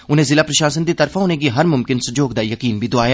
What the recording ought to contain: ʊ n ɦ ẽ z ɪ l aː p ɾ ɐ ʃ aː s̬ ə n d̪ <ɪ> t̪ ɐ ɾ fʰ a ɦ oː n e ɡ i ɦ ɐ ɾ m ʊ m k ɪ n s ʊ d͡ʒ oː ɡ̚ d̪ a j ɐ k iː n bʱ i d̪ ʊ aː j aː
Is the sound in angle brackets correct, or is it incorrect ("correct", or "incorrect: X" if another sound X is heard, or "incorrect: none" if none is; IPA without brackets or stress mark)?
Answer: incorrect: i